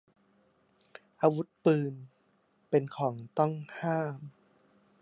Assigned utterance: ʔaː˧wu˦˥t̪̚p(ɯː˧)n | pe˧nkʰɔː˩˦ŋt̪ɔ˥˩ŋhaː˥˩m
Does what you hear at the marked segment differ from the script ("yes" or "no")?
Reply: no